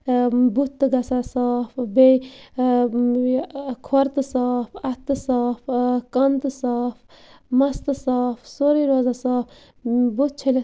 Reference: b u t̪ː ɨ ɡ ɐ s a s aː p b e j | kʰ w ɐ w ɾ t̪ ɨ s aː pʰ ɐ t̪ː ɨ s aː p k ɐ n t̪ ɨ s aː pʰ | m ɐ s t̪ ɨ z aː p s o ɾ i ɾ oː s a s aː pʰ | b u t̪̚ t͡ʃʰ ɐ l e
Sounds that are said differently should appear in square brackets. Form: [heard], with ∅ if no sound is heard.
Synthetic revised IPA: b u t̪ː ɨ ɡ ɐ s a s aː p b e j | kʰ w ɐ [∅] ɾ t̪ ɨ s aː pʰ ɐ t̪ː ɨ s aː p k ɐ n t̪ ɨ s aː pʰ | m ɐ s t̪ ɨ [s] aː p s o ɾ i ɾ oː [z] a s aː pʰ | b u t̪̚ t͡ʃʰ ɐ l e